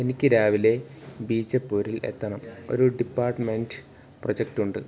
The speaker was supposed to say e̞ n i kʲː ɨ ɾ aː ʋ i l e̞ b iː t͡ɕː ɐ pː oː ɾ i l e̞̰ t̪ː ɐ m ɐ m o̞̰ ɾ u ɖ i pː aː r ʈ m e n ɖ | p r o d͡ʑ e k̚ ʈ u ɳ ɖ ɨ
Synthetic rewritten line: e̞ n i kʲː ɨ ɾ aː ʋ i l e̞ b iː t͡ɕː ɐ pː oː ɾ i l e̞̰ t̪ː ɐ ɳ ɐ m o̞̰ ɾ u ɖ i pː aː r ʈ m e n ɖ | p r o d͡ʑ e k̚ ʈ u ɳ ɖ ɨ